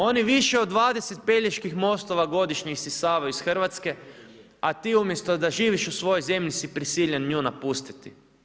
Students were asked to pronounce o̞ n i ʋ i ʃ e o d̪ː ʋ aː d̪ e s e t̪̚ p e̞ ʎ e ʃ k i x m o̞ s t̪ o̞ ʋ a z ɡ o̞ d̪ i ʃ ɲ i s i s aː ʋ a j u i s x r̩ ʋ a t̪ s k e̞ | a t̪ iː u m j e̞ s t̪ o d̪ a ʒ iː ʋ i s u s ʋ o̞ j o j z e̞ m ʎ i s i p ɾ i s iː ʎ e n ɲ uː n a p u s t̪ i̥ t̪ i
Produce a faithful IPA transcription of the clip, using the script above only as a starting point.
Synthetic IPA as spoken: o̞ n i ʋ i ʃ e o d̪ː ʋ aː d̪ e s e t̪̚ p e̞ ʎ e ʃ k i x m o̞ s t̪ o̞ ʋ a ɡ o̞ d̪ i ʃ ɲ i s i s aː ʋ a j u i s x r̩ ʋ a t̪ s k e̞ | a t̪ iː u m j e̞ s t̪ o d̪ a ʒ iː ʋ i ʃ u s ʋ o̞ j o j z e̞ m ʎ i s i p ɾ i s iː ʎ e n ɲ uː n a p u s t̪ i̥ t̪ i